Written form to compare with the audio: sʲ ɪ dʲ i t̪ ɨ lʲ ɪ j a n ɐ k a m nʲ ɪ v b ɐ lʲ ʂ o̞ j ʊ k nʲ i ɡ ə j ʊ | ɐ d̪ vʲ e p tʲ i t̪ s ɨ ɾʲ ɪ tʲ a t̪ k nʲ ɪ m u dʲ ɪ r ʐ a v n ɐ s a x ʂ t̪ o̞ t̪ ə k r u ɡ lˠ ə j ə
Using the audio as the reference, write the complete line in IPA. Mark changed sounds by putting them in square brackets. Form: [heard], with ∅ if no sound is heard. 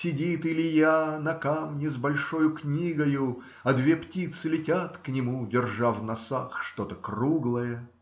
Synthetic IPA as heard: sʲ ɪ dʲ i t̪ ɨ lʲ ɪ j a n ɐ k a m nʲ ɪ [z] b ɐ lʲ ʂ o̞ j ʊ k nʲ i ɡ ə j ʊ | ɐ d̪ vʲ e p tʲ i t̪ s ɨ [lʲ] ɪ tʲ a t̪ k nʲ ɪ m u dʲ ɪ r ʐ a v n ɐ s a x ʂ t̪ o̞ t̪ ə k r u ɡ lˠ ə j ə